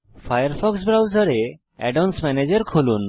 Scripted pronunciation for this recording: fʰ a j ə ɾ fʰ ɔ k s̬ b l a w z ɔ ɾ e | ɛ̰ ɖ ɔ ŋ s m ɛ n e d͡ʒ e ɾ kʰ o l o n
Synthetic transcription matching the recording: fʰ a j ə ɾ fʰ ɔ k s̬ b ɾ a w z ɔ ɾ e | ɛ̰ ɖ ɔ n s m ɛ n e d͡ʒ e ɾ kʰ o l u n